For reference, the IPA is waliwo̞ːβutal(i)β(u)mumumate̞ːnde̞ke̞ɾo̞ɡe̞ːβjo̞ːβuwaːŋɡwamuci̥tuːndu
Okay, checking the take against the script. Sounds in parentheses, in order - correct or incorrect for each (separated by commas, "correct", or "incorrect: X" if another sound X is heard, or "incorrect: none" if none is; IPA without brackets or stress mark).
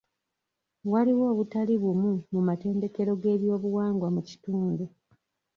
correct, correct